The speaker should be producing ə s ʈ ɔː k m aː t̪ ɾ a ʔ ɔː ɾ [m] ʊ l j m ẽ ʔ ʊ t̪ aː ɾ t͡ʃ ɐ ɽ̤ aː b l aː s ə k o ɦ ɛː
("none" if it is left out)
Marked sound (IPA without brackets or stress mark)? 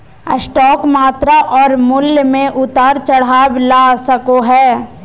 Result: m